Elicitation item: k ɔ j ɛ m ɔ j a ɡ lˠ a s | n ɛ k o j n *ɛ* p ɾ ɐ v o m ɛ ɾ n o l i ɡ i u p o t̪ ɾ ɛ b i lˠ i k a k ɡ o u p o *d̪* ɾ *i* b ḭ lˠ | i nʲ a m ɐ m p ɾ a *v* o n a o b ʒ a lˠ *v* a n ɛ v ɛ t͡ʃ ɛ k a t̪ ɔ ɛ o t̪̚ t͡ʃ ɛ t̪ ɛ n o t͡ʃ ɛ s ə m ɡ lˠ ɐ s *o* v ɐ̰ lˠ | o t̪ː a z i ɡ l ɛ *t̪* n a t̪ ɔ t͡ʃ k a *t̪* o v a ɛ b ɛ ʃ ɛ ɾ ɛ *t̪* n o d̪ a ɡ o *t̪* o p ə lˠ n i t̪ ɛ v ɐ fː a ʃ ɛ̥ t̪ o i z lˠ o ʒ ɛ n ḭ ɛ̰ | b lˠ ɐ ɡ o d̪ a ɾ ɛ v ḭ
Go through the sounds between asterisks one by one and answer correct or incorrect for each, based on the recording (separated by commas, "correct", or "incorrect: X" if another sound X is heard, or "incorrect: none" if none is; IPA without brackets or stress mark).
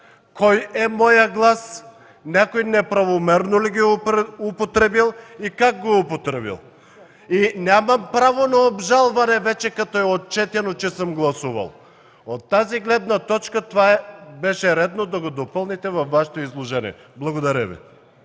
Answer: correct, incorrect: t̪, incorrect: ɛ, correct, correct, incorrect: u, incorrect: d̪, correct, incorrect: d̪, incorrect: d̪